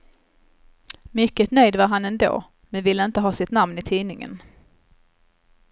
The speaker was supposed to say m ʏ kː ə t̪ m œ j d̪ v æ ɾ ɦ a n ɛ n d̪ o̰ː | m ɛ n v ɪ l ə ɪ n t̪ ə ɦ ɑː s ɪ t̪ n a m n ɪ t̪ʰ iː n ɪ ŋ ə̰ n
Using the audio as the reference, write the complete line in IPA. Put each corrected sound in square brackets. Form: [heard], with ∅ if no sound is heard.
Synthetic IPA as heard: m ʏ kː ə t̪ [n] œ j d̪ v [a] ɾ ɦ a n ɛ n d̪ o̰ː | m ɛ n v ɪ [lː] ə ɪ n t̪ ə ɦ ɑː s ɪ t̪ n a m n ɪ t̪ʰ iː n ɪ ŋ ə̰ n